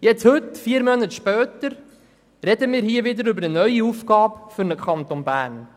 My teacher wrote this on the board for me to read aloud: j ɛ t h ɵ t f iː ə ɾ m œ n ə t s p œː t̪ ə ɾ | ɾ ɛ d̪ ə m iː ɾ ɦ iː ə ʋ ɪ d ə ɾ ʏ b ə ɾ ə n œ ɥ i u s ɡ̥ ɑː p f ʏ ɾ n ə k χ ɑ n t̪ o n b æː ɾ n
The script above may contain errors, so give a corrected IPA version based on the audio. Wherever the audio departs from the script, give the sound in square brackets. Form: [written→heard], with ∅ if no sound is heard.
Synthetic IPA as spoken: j ɛ [t→t͡s] h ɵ t f iː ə ɾ m œ n ə t [s→ʃ] p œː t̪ ə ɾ | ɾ ɛ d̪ ə m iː ɾ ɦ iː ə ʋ ɪ d ə ɾ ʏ b ə ɾ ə n œ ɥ i u [s→f] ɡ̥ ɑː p f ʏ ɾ n ə k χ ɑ n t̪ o n b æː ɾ n